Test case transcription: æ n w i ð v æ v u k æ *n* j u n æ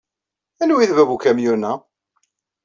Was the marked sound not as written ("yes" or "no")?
yes